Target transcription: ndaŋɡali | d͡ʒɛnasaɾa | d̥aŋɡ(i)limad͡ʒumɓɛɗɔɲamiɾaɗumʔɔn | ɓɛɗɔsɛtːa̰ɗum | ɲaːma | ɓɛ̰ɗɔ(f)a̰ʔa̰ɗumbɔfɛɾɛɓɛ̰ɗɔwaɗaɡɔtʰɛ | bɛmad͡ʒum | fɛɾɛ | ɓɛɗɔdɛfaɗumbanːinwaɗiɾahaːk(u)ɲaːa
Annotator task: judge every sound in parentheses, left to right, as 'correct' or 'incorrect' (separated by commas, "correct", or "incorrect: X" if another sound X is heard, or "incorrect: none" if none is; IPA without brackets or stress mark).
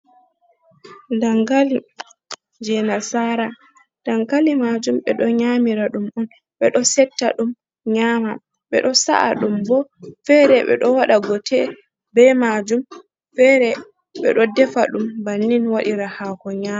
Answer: incorrect: a, incorrect: s, incorrect: ɔ